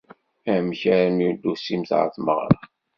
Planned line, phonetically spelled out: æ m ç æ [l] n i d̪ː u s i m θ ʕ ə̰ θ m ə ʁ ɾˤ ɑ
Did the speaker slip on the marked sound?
yes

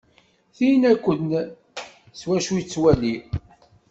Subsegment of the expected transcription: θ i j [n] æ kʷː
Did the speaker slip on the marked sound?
no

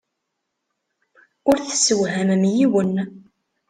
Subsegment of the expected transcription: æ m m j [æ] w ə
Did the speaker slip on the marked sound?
yes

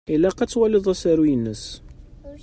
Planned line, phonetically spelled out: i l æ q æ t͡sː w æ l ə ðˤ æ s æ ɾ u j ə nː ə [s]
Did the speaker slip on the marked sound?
no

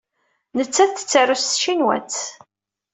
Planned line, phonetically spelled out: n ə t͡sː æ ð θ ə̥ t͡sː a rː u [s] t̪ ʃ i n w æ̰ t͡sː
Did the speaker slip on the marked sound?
no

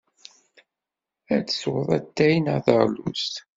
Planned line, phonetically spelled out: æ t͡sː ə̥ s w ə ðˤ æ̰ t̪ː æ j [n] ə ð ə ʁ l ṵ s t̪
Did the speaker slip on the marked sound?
no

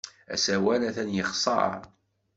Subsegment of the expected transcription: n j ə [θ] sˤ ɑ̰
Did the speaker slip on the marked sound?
yes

